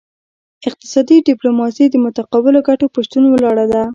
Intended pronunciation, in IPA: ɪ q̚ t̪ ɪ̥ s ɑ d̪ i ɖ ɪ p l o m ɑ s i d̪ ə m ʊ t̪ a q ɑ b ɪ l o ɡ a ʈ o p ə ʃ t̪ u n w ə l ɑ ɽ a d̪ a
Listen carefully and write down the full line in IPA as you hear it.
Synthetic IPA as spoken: ɪ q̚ t̪ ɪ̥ s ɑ d̪ i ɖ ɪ p l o m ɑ s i d̪ ə m ʊ t̪ a q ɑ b ɪ l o ɡ a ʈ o p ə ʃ t̪ u n w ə l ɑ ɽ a d̪ a